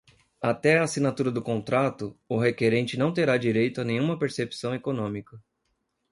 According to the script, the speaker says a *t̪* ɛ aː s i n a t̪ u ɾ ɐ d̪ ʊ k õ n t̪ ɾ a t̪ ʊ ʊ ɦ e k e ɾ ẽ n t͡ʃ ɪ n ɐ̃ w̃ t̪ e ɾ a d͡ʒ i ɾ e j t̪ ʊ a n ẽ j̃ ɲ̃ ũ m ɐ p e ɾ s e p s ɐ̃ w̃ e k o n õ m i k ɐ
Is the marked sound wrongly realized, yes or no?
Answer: no